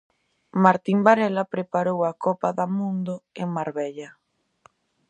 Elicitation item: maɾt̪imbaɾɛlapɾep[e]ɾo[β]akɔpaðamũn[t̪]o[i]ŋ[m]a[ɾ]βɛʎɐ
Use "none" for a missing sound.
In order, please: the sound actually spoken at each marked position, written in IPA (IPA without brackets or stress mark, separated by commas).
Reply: a, w, d̪, e, m, ɾ